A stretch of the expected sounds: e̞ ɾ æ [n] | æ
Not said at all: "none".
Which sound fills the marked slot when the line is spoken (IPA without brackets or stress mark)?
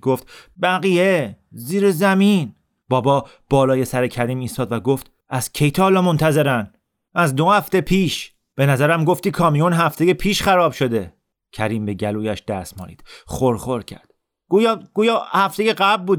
n